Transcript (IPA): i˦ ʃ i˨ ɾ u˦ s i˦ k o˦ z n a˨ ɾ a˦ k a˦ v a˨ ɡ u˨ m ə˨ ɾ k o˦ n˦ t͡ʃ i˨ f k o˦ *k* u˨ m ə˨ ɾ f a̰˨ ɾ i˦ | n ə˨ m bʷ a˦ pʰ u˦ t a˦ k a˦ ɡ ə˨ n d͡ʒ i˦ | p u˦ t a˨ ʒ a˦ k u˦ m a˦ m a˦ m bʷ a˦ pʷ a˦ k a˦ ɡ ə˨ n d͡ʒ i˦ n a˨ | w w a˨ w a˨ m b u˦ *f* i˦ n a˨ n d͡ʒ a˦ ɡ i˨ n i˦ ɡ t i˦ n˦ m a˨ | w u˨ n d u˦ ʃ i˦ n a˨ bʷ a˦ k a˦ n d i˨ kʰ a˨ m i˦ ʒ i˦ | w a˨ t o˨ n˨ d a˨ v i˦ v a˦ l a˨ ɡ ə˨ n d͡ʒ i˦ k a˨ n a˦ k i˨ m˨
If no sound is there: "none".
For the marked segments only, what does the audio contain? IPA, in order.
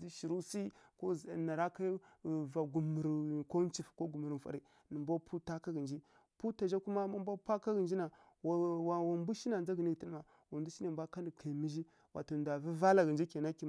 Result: ɡ, ʃ

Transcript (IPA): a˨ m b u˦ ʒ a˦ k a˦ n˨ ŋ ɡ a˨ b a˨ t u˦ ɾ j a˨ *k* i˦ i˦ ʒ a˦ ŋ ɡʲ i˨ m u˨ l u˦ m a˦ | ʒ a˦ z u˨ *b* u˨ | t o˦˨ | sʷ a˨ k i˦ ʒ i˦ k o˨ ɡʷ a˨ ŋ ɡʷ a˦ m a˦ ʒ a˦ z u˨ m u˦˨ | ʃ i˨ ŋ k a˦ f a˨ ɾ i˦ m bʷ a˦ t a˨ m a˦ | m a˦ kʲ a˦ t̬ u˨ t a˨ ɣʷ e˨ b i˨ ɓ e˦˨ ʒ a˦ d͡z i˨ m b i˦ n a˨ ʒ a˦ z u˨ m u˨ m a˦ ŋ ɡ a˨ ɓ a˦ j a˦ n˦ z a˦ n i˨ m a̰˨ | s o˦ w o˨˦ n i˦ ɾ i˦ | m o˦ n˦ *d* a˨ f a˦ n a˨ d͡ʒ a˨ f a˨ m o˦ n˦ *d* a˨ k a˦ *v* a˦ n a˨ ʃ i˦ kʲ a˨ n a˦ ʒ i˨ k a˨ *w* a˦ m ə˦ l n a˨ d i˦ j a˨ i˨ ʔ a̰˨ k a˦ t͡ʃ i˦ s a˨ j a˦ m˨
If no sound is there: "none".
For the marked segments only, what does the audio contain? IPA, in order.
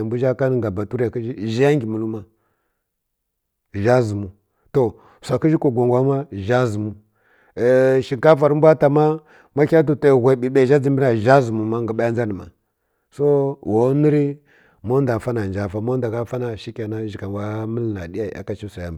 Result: k, m, d, d, f, w

